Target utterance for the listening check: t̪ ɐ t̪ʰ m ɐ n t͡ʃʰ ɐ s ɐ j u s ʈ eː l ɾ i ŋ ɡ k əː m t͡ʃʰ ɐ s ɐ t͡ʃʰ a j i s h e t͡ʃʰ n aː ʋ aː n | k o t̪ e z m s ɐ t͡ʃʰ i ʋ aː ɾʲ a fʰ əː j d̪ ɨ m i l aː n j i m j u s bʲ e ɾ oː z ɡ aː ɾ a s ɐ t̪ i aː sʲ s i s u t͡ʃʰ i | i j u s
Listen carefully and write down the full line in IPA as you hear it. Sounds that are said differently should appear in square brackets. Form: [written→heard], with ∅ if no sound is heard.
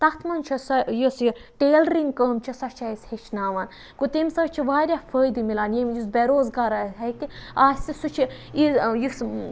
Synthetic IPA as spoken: t̪ ɐ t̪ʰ m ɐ n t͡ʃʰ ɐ s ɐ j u s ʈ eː l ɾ i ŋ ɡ k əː m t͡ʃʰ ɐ s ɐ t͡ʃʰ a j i s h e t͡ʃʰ n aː ʋ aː n | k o t̪ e [z→∅] m s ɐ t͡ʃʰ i ʋ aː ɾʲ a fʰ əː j d̪ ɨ m i l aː n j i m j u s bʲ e ɾ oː z ɡ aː ɾ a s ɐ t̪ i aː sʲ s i s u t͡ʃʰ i | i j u s